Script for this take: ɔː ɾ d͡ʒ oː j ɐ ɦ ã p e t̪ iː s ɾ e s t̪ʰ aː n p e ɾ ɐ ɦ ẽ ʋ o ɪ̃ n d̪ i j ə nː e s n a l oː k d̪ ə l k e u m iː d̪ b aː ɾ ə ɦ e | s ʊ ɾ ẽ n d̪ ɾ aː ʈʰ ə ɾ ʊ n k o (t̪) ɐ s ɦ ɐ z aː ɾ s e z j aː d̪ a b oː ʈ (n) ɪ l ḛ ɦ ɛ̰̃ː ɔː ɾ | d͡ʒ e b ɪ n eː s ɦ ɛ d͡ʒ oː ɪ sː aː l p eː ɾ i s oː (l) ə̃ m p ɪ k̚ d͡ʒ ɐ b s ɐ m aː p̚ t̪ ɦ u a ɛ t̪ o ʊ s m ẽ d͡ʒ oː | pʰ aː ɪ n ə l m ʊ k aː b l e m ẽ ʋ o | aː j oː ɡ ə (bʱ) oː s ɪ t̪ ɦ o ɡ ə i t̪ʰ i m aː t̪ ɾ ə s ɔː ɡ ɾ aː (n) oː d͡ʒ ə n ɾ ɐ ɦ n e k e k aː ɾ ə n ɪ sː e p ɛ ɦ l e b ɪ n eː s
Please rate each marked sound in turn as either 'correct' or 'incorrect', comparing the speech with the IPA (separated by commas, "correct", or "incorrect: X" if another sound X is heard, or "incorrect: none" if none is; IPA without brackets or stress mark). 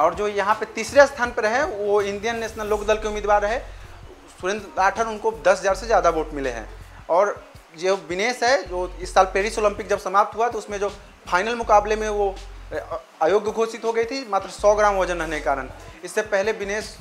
incorrect: d̪, incorrect: m, correct, incorrect: ɡʱ, incorrect: m